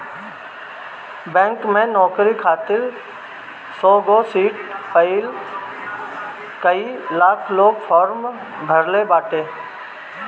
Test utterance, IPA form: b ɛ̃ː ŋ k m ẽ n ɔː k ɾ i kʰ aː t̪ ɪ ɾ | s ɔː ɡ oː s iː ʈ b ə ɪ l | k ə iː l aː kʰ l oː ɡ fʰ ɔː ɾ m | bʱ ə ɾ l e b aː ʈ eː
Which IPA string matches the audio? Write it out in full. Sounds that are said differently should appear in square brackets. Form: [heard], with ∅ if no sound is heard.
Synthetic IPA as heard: b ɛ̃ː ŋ k m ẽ n ɔː k ɾ i kʰ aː t̪ ɪ ɾ | s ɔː ɡ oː s iː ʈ [p] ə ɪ l | k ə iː l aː kʰ l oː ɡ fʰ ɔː ɾ m | bʱ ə ɾ l e b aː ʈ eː